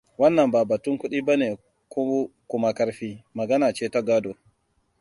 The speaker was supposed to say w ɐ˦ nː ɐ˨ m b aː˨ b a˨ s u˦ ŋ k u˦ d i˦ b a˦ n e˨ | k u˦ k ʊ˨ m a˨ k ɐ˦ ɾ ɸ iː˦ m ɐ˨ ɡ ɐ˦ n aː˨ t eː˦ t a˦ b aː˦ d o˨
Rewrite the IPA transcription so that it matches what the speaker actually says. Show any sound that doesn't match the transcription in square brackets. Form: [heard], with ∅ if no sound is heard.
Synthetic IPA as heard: w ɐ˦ nː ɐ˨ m b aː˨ b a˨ [t] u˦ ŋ k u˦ [ɗ] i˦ b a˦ n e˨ | k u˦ k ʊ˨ m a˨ k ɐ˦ ɾ ɸ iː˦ m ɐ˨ ɡ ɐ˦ n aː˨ [t͡ʃ] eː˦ t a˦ [ɡ] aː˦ d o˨